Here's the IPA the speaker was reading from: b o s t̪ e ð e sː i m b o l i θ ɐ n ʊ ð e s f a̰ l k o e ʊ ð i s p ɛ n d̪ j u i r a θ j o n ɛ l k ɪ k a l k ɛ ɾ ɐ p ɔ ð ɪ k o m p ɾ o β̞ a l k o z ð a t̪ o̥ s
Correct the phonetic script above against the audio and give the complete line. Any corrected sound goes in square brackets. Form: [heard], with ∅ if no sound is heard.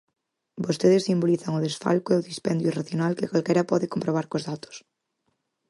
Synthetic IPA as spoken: b o s t̪ e ð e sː i m b o l i θ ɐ [ŋ] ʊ ð e s f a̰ l k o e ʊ ð i s p ɛ n d̪ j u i r a θ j o n [a] l k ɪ k a l k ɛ ɾ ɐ p ɔ ð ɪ k o m p ɾ o β̞ a [ɾ] k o z ð a t̪ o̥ s